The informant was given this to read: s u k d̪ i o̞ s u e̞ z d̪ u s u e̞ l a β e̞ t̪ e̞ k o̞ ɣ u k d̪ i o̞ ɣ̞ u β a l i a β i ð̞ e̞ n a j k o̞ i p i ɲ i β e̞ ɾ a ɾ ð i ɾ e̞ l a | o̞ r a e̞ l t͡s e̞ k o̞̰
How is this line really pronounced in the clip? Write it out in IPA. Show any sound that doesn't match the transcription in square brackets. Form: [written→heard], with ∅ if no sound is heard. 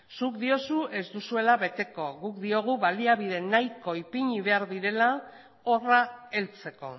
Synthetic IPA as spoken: s u k d̪ i o̞ s u e̞ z d̪ u s u e̞ l a β e̞ t̪ e̞ k o̞ ɣ u k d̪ i o̞ ɣ̞ u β a l i a β i ð̞ e̞ n a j k o̞ i p i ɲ i β e̞ [ɾ→∅] a ɾ ð i ɾ e̞ l a | o̞ r a e̞ l t͡s e̞ k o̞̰